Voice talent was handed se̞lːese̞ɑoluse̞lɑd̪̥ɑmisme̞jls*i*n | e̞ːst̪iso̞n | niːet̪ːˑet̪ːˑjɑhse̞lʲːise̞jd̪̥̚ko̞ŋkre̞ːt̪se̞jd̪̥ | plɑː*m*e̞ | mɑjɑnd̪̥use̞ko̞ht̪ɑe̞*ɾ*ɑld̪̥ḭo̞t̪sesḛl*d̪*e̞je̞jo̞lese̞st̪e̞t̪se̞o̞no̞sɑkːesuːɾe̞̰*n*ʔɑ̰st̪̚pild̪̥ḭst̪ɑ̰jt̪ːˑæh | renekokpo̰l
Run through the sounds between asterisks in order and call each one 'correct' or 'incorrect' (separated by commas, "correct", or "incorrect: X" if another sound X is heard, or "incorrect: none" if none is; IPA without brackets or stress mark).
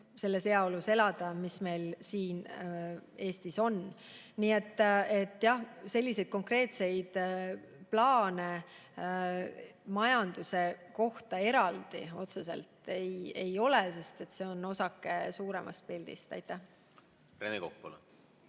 incorrect: iː, incorrect: n, correct, incorrect: t̪, incorrect: m